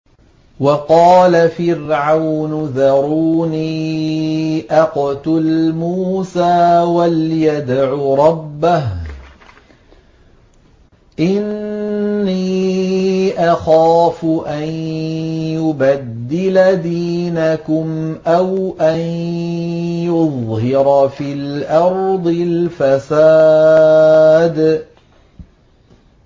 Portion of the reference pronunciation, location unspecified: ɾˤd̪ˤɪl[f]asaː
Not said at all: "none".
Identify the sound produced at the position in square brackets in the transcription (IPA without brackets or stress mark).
f